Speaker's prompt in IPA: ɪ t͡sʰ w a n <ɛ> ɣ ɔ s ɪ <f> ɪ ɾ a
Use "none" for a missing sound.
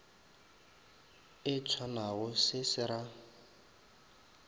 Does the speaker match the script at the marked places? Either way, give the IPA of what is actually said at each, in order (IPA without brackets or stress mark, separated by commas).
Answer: a, s